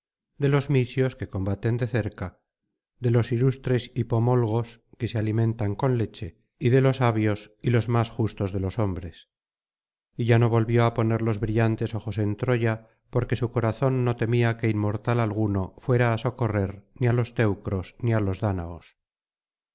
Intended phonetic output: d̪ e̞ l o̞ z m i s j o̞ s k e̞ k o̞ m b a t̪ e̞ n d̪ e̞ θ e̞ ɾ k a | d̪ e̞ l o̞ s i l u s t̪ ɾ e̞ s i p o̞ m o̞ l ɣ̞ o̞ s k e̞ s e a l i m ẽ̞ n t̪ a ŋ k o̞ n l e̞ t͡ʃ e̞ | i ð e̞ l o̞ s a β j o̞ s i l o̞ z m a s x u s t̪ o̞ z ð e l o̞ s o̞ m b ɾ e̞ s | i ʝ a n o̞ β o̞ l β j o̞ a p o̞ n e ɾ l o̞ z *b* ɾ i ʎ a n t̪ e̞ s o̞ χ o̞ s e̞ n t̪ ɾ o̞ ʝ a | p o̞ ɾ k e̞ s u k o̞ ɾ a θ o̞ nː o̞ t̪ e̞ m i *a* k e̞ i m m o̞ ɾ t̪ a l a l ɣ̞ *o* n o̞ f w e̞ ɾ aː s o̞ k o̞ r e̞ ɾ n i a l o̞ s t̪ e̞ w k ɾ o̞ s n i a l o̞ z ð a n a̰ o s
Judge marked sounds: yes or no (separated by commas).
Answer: no, yes, no